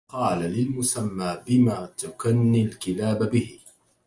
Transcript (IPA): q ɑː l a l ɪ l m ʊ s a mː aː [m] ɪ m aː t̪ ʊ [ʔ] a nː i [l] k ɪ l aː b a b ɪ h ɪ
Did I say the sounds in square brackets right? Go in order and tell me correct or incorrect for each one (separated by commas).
incorrect, incorrect, correct